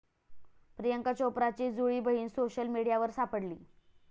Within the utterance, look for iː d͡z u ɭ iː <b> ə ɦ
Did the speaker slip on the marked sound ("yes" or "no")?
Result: no